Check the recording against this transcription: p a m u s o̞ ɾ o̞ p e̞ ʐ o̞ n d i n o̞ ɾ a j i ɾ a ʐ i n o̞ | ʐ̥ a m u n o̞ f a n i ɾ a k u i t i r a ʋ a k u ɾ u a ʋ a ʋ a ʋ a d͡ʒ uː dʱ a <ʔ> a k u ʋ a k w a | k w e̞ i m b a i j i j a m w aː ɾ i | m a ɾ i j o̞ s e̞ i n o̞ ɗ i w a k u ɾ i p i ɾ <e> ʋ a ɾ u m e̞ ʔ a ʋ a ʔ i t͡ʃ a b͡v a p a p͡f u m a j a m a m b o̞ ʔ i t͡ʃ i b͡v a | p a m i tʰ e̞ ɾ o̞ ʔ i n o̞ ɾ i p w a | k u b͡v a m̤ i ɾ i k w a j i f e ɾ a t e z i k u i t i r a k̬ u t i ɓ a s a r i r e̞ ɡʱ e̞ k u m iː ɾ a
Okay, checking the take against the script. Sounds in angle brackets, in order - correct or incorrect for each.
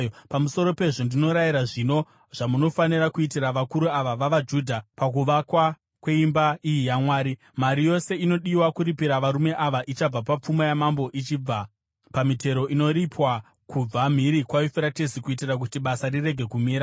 incorrect, incorrect

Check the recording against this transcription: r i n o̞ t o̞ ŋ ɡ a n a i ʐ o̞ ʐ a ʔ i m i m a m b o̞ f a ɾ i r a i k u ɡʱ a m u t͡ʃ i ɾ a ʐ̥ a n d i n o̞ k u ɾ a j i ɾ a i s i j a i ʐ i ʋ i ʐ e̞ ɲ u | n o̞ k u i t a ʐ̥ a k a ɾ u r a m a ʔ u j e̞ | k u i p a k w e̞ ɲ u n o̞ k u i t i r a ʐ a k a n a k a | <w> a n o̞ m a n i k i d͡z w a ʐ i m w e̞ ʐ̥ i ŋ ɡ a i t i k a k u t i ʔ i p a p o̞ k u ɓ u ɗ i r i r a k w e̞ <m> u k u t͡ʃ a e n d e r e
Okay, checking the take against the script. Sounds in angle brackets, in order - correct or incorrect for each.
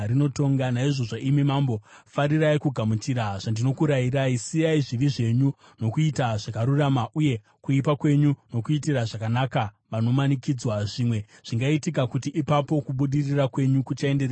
incorrect, incorrect

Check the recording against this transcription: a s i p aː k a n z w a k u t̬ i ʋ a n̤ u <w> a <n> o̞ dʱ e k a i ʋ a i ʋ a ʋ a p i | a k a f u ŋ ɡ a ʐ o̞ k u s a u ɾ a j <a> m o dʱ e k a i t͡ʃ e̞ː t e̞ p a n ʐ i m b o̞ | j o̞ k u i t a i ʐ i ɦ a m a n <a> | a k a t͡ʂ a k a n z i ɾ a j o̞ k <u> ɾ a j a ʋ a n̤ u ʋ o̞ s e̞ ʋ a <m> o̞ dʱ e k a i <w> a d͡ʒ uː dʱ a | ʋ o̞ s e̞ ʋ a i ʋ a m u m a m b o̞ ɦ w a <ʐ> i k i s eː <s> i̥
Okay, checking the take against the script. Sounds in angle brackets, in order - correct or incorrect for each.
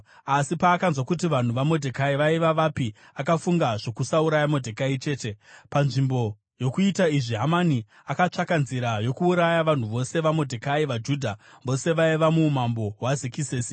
incorrect, incorrect, correct, incorrect, incorrect, correct, incorrect, incorrect, correct

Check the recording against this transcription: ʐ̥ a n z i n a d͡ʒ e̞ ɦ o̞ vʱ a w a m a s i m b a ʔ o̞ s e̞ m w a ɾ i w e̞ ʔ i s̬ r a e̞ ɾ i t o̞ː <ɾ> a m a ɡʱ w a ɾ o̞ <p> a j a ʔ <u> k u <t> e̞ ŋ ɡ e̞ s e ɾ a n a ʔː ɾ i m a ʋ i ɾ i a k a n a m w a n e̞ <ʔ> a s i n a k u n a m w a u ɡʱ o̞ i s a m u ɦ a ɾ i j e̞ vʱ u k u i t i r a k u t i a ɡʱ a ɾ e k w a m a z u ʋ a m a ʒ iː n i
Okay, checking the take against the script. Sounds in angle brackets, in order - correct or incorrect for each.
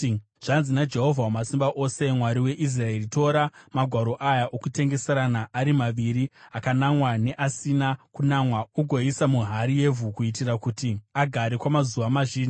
correct, incorrect, incorrect, correct, correct

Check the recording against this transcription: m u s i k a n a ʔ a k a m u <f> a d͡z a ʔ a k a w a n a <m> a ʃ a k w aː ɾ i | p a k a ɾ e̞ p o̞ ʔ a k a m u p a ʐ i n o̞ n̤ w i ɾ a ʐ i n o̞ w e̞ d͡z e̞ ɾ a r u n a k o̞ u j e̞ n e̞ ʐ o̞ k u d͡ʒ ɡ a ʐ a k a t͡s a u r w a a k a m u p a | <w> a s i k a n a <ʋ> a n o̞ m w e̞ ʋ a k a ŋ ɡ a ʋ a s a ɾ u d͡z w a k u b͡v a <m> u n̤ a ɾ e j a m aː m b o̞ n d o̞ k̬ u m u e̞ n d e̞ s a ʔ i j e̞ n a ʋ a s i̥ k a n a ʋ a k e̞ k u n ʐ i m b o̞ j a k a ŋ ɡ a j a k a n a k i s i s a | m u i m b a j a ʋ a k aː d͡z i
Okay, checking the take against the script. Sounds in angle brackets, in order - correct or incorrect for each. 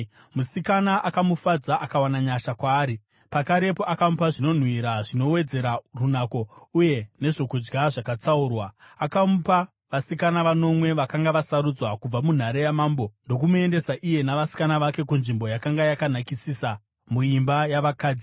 correct, incorrect, incorrect, correct, correct

